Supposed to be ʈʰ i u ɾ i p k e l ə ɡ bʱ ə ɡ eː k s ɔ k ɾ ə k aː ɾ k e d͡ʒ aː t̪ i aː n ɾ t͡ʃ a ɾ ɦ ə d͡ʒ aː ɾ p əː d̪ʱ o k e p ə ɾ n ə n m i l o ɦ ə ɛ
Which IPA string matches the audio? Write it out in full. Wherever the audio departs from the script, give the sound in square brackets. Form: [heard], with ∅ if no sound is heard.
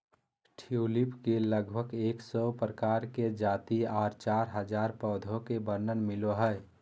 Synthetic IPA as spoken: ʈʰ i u [l] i p k e l ə ɡ bʱ ə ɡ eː k s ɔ [p] ɾ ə k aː ɾ k e d͡ʒ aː t̪ i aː [∅] ɾ t͡ʃ a ɾ ɦ ə d͡ʒ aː ɾ p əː d̪ʱ o k e [b] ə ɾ n ə n m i l o ɦ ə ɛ